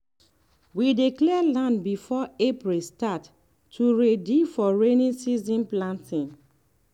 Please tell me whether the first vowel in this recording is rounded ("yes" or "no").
no